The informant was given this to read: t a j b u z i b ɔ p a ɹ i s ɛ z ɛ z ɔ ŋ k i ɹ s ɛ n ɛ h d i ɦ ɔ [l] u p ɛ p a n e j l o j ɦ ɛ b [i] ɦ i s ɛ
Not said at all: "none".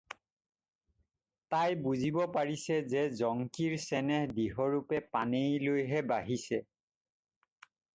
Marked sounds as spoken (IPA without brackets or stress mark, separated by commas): ɹ, a